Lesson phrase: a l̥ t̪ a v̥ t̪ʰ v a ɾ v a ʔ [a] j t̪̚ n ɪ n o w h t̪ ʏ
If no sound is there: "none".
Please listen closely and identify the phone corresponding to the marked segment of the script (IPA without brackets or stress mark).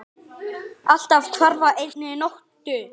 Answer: e